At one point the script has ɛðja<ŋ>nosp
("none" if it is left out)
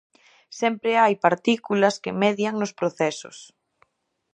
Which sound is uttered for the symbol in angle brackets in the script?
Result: ŋ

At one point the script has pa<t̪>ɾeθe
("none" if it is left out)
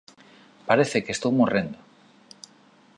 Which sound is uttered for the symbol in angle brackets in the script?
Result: none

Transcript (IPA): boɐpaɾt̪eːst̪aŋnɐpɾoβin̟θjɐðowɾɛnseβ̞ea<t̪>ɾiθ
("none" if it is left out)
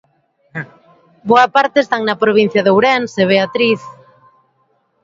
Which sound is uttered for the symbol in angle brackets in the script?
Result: t̪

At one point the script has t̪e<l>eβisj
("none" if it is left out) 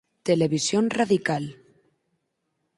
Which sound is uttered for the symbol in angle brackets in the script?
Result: l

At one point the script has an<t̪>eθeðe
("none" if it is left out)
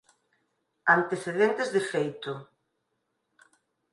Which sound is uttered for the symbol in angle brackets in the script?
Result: t̪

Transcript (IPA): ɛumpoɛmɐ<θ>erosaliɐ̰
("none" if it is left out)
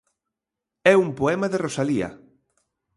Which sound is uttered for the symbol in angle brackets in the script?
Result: ð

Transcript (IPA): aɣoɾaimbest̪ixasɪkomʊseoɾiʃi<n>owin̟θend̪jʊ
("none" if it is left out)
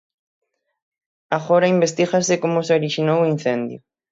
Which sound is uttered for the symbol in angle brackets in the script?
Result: n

